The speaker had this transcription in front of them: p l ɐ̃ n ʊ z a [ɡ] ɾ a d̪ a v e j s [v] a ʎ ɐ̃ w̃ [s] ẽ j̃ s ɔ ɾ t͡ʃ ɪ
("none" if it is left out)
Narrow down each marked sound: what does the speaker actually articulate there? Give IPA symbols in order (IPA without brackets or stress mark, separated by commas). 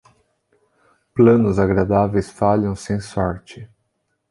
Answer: ɡ, f, s